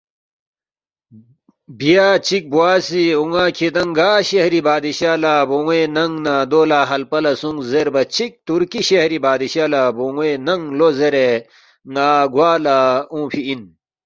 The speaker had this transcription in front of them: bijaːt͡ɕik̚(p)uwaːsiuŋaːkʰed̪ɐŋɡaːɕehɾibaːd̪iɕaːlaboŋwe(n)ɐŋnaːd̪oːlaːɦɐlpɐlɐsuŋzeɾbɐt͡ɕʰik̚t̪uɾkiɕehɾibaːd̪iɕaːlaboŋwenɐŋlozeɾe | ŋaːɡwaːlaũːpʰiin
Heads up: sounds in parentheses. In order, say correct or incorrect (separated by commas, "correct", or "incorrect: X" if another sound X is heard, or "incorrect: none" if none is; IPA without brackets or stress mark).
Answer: incorrect: b, correct